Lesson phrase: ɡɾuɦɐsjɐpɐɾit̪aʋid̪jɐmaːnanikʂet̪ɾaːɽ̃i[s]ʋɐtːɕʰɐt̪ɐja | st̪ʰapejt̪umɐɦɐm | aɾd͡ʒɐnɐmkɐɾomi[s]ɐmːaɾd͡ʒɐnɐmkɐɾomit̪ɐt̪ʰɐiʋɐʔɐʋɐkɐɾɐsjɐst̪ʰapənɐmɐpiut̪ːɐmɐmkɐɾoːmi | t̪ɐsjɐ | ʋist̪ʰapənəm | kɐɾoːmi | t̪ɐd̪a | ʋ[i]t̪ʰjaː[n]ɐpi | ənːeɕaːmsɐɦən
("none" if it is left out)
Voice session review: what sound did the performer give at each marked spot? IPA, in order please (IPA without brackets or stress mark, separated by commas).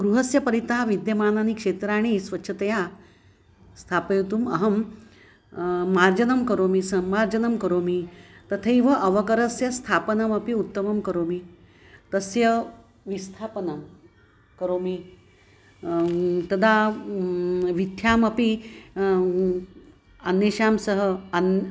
s, s, i, m